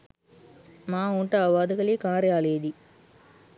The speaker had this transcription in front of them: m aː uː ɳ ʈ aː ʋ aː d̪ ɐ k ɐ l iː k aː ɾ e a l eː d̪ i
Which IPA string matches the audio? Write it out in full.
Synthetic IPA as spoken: m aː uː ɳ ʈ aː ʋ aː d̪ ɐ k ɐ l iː k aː ɾ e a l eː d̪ i